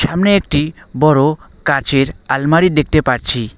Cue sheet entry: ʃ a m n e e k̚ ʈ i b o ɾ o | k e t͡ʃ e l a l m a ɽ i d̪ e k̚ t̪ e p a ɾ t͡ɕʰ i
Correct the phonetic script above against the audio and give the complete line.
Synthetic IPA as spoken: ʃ a m n e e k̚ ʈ i b ɔ ɾ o | k a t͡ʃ e ɾ a l m a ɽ i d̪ e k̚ t̪ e p a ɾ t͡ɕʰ i